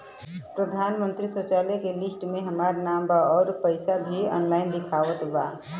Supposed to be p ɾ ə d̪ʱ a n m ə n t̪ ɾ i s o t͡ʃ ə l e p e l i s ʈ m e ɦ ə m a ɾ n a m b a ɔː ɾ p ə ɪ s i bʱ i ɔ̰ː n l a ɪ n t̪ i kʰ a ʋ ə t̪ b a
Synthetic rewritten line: p ɾ ə d̪ʱ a n m ə n t̪ ɾ i s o t͡ʃ a l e k e l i s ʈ m e ɦ ə m a ɾ n a m b a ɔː ɾ p ə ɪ s a bʱ i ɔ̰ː n l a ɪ n d̪ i kʰ a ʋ ə t̪ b a